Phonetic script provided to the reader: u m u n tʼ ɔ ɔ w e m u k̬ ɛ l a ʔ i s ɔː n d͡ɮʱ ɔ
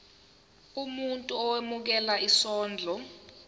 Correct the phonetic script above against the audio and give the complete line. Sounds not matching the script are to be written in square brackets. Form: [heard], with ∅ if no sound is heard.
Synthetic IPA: u m u n tʼ [u] ɔ w e m u k̬ ɛ l a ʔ i s ɔː n d͡ɮʱ ɔ